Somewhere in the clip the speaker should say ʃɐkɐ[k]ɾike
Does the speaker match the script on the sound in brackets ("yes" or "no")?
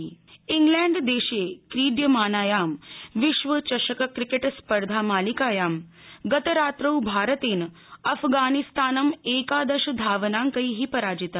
yes